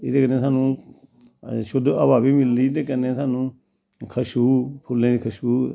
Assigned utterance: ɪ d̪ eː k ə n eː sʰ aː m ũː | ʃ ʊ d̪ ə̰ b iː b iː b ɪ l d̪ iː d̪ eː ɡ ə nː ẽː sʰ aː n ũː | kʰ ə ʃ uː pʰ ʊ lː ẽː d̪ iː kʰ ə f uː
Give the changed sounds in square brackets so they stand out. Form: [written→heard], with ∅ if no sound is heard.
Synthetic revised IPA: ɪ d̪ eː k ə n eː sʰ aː [m→n] ũː | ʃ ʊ d̪ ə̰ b [iː→aː] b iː [b→m] ɪ l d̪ iː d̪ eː [ɡ→k] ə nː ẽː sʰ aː n ũː | kʰ ə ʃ uː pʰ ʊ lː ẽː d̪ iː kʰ ə [f→ʃ] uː